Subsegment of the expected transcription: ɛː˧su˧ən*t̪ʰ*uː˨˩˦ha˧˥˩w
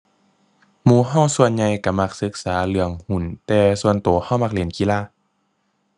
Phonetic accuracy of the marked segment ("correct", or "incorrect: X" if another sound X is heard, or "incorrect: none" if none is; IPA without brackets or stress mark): incorrect: t̪